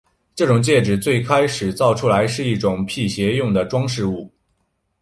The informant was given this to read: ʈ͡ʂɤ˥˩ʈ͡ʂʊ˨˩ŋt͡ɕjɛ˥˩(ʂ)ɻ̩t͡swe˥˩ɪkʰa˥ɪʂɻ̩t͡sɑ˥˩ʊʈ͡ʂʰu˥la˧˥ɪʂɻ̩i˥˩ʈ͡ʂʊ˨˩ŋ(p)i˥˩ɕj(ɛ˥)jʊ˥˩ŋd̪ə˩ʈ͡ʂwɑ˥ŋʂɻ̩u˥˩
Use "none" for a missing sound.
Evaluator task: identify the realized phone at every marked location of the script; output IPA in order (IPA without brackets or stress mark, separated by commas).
ʈ͡ʂ, pʰ, ɛ˧˥